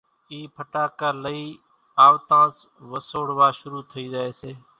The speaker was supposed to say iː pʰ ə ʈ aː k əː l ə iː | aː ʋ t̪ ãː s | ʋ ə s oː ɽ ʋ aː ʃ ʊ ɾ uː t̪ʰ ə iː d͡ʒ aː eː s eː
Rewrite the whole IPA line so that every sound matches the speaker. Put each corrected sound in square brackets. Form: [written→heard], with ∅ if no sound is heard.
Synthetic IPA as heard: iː pʰ ə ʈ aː k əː l ə iː | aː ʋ t̪ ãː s | ʋ ə s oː ɽ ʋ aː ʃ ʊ ɾ uː t̪ʰ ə iː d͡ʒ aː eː s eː